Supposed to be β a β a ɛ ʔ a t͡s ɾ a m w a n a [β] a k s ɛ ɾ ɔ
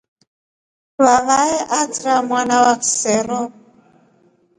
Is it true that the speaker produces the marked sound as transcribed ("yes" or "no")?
no